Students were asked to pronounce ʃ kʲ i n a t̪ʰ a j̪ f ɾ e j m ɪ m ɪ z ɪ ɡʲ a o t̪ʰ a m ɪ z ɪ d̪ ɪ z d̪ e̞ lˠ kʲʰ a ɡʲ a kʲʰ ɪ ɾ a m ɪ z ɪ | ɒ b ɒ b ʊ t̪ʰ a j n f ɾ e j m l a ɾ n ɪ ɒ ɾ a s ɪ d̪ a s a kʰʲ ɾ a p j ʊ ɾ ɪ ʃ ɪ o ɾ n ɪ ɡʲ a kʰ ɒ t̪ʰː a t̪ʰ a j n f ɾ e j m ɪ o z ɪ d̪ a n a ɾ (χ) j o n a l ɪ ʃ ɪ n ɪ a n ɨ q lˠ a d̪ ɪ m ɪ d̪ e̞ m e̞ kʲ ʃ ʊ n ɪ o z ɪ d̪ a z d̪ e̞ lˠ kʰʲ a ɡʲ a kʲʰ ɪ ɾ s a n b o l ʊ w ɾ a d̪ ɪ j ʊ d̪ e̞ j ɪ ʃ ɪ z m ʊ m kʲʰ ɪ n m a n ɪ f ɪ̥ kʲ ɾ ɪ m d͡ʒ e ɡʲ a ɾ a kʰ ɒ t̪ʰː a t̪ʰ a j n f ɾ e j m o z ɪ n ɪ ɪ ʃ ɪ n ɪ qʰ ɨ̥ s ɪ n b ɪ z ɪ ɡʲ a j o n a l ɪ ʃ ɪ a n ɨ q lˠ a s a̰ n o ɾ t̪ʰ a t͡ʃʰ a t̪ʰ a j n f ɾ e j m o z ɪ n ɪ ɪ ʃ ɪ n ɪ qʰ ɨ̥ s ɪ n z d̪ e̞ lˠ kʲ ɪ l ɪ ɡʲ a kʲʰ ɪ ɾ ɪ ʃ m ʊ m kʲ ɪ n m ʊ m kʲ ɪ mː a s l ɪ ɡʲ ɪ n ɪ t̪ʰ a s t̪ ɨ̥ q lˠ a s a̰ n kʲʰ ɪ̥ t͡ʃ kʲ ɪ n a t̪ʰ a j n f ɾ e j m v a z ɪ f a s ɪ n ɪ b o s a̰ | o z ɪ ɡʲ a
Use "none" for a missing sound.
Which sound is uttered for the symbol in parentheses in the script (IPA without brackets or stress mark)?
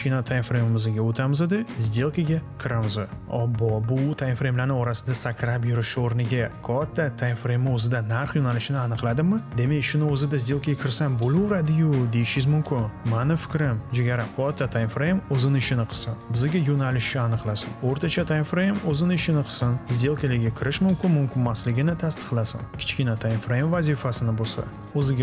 χ